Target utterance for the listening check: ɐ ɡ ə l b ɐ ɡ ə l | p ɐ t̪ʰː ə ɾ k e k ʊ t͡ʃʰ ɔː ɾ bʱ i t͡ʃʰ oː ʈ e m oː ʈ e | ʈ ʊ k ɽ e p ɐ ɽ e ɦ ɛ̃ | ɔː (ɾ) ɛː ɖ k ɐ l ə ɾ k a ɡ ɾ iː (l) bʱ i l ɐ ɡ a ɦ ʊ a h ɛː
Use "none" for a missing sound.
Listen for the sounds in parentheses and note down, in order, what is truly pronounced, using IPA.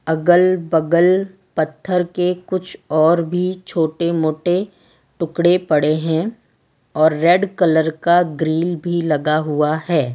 ɾː, l

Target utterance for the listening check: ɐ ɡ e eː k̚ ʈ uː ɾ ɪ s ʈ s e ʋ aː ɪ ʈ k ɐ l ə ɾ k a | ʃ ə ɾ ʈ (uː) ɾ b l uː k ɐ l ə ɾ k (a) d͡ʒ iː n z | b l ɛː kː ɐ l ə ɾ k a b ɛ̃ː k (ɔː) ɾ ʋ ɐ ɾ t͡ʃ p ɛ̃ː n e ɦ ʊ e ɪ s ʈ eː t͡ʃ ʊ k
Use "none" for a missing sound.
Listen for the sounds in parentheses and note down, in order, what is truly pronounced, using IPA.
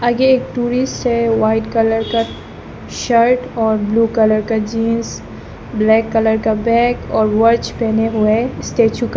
ɔː, a, ɔː

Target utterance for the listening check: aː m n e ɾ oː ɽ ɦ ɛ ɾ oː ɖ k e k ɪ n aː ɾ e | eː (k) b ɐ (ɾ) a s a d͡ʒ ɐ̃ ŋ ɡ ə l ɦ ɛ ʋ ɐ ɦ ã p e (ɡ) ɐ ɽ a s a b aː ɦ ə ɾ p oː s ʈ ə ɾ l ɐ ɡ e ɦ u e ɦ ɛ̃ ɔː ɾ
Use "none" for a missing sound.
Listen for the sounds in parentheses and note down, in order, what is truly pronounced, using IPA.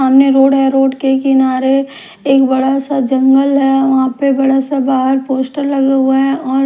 k, ɽ, b

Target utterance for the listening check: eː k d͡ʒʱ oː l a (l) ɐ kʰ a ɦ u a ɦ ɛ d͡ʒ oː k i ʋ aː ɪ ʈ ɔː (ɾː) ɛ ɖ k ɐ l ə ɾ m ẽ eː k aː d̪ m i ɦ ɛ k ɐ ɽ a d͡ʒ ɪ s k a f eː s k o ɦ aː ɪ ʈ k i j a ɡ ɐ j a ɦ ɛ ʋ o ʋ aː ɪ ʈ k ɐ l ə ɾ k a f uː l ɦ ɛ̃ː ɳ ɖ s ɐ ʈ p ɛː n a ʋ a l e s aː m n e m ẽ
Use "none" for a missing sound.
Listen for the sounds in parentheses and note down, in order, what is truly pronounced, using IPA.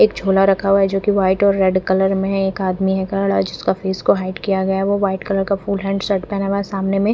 ɾ, ɾː

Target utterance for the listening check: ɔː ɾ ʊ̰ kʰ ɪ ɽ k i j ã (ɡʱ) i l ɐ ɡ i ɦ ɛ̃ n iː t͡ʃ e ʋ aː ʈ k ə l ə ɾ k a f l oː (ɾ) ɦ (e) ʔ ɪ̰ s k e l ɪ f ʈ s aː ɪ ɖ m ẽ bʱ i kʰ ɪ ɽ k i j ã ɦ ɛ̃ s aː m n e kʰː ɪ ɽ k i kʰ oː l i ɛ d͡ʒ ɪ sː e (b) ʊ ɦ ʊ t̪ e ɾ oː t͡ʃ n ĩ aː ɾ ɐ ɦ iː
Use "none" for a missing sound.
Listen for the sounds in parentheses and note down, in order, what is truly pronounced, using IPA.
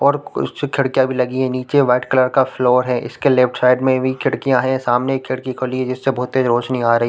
bʱ, ɾ, ɛ, b

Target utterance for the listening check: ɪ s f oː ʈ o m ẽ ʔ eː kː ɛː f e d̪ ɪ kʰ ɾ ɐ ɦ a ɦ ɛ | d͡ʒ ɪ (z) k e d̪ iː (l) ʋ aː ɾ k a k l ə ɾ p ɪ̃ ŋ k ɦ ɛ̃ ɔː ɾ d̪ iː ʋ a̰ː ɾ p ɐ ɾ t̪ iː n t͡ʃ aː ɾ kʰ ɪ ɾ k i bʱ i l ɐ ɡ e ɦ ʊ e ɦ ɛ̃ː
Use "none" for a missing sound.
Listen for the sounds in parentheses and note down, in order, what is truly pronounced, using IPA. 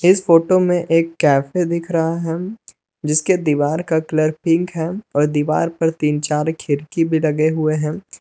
s, none

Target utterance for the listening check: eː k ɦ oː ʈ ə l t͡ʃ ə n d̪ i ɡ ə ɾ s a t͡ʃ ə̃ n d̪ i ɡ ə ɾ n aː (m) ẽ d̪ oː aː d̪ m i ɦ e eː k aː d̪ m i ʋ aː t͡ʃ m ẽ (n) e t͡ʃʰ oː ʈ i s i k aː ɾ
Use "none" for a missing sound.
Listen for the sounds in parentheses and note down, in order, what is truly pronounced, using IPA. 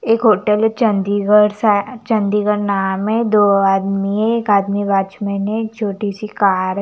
m, n

